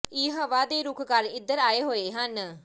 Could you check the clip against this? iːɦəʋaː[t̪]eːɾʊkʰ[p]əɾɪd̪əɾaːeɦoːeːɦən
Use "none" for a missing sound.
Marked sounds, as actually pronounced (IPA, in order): d̪, k

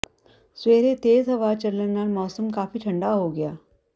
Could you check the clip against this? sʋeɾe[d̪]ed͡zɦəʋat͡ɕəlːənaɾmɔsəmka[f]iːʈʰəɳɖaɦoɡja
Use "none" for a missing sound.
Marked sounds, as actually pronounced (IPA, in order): t̪, f

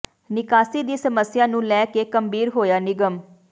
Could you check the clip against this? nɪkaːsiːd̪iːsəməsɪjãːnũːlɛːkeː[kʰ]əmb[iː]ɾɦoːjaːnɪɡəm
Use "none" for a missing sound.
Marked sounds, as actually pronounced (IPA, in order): k, iː

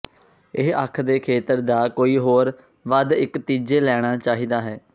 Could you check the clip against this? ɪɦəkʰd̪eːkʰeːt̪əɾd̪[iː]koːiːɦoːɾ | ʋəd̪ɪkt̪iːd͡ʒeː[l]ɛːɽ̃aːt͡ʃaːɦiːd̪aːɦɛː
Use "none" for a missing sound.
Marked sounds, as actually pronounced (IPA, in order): aː, l

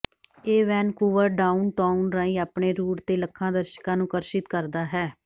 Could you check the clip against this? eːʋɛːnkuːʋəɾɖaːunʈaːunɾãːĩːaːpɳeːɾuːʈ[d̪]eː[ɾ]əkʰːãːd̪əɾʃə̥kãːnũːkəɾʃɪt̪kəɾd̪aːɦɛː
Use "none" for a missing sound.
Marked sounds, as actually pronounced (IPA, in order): t̪, l

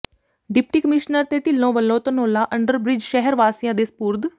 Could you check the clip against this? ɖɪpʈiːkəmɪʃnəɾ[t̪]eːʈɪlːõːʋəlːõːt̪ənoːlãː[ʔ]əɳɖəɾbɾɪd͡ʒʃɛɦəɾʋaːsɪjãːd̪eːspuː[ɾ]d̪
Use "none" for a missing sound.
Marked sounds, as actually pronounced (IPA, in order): t̪, ʔ, ɾ

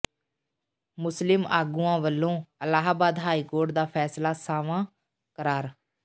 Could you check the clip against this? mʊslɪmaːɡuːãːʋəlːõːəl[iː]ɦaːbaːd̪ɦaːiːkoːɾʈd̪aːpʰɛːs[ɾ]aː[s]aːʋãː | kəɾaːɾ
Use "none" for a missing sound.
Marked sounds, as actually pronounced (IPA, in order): aː, l, s

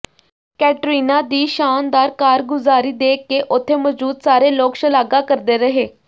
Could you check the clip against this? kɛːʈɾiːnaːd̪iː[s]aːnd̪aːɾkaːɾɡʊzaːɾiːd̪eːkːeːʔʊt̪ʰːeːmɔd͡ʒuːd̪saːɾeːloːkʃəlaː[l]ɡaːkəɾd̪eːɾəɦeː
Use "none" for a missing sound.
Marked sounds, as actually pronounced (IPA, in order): ʃ, none

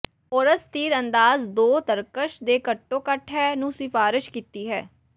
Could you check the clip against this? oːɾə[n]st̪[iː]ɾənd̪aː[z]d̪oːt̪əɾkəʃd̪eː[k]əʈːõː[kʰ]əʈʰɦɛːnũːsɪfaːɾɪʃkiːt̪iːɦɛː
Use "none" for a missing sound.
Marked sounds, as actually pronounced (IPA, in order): none, iː, z, k, k

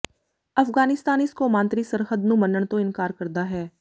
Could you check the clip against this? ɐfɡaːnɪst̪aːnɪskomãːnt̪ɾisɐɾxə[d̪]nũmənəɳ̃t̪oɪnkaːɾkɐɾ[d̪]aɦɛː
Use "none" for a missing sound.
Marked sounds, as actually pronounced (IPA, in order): d̪, d̪

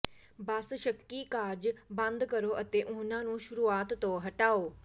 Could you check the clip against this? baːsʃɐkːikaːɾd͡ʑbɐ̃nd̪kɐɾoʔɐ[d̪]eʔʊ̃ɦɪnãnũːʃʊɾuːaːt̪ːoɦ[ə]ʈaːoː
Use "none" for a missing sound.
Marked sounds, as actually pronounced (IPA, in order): t̪, ɐ

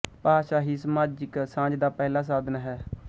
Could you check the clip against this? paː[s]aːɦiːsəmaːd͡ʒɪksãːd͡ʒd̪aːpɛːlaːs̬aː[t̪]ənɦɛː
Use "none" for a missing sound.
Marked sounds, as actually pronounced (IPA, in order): ʃ, d̪

